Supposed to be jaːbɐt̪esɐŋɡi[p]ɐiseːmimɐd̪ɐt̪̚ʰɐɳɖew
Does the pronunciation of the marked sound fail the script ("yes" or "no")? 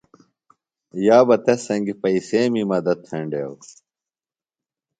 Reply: no